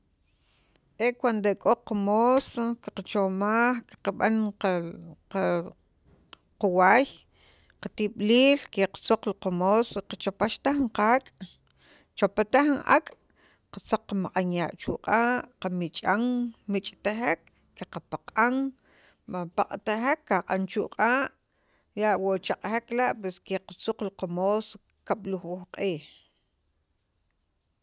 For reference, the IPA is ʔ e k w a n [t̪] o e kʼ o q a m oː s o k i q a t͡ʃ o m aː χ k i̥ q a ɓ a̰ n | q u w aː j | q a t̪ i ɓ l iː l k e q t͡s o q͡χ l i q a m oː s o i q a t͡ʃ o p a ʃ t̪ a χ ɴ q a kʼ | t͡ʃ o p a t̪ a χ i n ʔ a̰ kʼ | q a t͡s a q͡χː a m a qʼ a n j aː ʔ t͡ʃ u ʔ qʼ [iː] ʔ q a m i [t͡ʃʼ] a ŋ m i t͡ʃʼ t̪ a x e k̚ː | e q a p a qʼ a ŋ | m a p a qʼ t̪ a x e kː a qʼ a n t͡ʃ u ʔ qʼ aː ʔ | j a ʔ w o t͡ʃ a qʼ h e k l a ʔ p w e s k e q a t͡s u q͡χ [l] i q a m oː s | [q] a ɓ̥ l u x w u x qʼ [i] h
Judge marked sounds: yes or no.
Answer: no, no, yes, yes, no, no

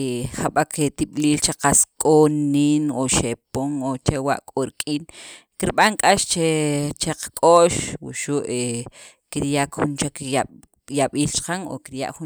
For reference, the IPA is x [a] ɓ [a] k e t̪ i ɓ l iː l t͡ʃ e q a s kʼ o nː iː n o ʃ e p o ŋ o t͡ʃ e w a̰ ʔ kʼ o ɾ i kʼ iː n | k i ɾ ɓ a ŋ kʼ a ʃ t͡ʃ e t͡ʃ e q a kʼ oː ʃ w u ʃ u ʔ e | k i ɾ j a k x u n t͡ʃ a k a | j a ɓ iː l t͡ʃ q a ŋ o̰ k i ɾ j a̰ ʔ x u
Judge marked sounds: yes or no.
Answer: yes, yes

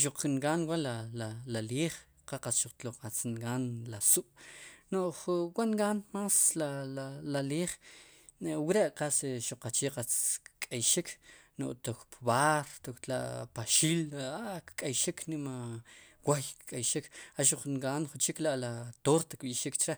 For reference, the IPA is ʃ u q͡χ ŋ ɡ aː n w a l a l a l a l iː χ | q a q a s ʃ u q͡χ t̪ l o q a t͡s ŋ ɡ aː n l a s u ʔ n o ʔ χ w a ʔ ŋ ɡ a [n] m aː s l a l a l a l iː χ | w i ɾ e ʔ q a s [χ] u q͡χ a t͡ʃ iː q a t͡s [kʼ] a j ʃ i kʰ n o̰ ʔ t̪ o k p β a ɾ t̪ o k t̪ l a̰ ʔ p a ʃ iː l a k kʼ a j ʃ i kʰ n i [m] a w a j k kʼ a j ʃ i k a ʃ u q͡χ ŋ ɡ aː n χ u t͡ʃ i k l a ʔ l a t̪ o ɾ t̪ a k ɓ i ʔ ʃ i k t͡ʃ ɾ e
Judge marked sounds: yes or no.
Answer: yes, no, yes, yes

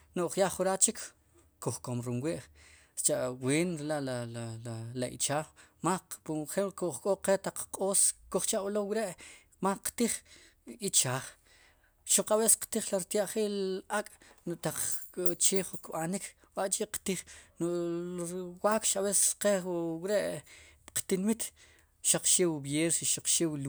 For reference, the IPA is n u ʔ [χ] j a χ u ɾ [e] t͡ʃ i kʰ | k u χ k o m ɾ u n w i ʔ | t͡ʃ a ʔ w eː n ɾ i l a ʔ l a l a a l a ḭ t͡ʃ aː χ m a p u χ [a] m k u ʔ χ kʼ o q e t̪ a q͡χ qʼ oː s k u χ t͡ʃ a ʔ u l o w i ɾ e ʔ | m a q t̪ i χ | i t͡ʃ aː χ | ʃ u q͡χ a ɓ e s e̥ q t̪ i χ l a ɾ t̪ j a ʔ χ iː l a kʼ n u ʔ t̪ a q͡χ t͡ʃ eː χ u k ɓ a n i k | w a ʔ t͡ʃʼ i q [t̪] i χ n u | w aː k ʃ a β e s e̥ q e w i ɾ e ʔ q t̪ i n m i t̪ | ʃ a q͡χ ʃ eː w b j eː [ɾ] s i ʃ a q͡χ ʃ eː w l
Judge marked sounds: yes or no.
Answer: yes, no, no, yes, yes

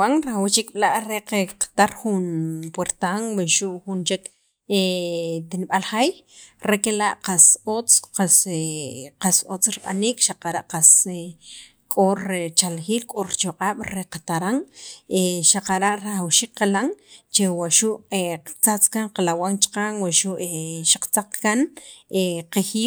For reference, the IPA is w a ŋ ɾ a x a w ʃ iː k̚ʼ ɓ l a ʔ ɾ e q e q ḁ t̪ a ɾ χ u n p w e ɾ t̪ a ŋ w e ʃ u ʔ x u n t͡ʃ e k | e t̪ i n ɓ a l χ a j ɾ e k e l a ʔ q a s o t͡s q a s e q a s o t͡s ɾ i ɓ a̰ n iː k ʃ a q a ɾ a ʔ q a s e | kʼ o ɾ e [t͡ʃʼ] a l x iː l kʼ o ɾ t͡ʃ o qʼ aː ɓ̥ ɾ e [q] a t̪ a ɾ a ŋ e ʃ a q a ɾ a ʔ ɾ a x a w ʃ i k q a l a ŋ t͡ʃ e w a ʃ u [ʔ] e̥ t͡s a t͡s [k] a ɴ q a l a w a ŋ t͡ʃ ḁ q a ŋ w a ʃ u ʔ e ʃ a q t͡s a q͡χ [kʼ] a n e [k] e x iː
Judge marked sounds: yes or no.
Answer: no, yes, yes, yes, no, no

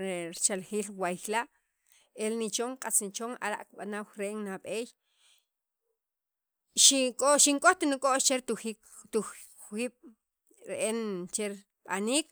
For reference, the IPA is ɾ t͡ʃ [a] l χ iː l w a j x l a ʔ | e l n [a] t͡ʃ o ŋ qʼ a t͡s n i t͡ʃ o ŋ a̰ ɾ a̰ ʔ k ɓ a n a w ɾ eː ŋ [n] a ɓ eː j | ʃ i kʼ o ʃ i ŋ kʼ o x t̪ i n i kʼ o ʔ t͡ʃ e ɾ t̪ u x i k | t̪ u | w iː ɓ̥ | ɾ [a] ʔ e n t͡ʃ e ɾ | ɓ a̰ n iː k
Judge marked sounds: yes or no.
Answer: yes, no, yes, no

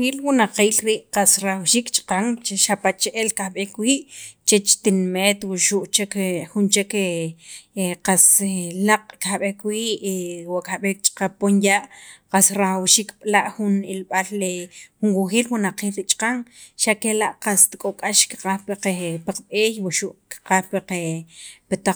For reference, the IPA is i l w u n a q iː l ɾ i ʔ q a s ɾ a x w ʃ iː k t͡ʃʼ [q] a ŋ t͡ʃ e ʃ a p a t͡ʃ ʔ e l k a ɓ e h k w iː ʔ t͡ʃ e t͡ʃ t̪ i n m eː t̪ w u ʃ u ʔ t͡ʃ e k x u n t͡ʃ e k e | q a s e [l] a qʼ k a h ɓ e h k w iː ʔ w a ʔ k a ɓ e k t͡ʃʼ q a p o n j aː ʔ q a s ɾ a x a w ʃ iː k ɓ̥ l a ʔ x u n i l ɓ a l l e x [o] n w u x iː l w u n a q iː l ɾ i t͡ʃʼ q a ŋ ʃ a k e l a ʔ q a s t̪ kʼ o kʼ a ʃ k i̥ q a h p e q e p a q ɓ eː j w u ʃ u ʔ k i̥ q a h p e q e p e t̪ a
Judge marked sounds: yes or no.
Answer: yes, yes, no

